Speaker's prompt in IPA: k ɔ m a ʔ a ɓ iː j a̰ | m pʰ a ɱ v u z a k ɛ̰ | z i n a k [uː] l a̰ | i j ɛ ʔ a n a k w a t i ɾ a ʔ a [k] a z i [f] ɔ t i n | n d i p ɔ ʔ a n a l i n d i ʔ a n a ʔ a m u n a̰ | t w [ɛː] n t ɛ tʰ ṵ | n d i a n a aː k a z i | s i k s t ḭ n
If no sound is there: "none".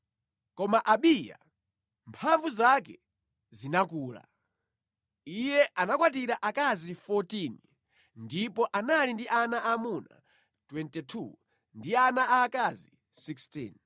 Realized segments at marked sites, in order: uː, k, f, ɛ

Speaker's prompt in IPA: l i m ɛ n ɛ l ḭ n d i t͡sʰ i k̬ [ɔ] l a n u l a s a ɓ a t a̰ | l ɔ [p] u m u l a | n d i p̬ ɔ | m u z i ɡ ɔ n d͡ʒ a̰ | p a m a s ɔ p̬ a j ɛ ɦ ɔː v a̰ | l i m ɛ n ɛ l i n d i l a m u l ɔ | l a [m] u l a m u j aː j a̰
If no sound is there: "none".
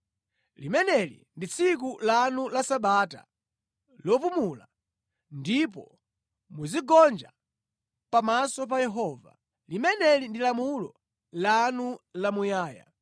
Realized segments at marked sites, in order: u, p, n

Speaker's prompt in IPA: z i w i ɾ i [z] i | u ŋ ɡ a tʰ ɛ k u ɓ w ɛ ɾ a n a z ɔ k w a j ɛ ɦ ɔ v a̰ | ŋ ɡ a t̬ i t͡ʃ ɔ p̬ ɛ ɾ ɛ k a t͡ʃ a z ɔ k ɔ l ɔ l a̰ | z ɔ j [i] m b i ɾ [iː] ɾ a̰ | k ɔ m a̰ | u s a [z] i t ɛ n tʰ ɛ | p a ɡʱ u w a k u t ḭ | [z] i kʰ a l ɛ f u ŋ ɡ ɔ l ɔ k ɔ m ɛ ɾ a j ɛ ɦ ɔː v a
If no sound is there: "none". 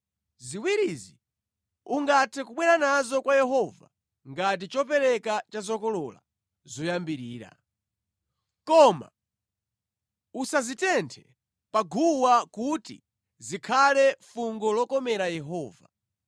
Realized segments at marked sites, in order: z, a, iː, z, z

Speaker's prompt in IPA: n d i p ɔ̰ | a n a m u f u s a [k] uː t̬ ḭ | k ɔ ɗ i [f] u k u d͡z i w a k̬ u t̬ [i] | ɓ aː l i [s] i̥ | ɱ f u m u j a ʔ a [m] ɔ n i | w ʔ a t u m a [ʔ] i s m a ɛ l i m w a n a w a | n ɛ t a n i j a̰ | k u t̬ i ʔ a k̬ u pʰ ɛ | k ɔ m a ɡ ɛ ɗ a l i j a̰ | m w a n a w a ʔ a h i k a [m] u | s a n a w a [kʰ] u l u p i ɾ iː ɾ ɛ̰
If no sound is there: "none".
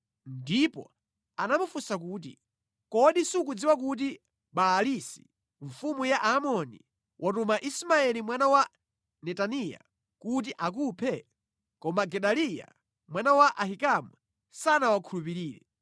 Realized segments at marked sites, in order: k, s, i, s, m, ʔ, m, kʰ

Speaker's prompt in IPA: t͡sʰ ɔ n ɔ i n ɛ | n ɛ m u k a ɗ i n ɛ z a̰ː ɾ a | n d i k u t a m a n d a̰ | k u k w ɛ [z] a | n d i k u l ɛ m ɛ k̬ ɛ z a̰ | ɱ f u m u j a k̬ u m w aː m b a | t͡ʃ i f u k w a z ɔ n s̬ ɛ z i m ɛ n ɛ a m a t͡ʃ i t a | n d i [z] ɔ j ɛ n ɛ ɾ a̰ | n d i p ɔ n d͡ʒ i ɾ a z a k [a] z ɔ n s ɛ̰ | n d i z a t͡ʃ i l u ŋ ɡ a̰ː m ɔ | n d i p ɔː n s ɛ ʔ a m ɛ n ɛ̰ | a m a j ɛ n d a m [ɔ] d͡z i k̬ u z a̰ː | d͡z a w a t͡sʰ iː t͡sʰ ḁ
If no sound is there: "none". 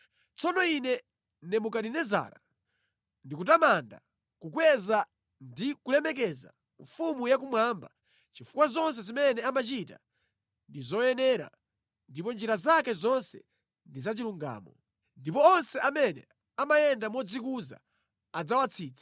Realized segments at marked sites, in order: z, z, ɛ, ɔ

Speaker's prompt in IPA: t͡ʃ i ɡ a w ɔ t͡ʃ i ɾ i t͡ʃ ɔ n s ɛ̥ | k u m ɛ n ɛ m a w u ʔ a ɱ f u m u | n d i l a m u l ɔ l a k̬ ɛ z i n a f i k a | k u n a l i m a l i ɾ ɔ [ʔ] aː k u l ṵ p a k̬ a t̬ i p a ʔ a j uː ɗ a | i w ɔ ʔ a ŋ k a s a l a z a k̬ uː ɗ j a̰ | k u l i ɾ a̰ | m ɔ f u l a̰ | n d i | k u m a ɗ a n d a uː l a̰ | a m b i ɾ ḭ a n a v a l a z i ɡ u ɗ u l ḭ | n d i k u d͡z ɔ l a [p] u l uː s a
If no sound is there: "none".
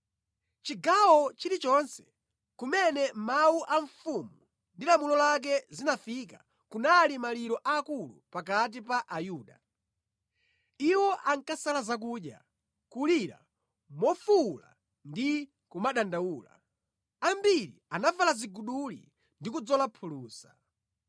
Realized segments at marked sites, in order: ʔ, pʰ

